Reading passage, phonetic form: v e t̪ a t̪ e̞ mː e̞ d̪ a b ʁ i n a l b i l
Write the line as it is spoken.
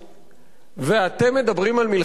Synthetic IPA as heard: v e a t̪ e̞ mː e̞ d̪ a b ʁ i m a l m i l